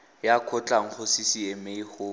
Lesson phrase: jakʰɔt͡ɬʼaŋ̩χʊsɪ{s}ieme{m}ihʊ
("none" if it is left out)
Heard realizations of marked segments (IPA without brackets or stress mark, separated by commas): s, none